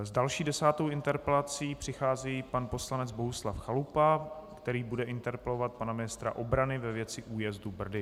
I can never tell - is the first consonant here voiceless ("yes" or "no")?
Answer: no